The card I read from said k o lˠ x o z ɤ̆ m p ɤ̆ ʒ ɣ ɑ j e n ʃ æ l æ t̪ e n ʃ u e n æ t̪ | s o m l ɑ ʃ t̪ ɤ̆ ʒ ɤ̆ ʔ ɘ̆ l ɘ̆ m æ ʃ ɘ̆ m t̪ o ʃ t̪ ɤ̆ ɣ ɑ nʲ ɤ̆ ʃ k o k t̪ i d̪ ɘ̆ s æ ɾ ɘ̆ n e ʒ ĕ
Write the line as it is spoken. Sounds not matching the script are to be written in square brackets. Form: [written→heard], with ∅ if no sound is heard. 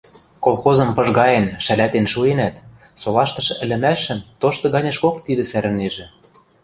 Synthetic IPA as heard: k o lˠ x o z ɤ̆ m p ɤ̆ ʒ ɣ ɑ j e n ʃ æ l æ t̪ e n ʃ u e n æ t̪ | s o [m→∅] l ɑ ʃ t̪ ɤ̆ [ʒ→ʃ] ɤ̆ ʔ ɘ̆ l ɘ̆ m æ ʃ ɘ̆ m t̪ o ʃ t̪ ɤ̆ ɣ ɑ nʲ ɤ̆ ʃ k o k t̪ i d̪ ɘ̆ s æ ɾ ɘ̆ n e ʒ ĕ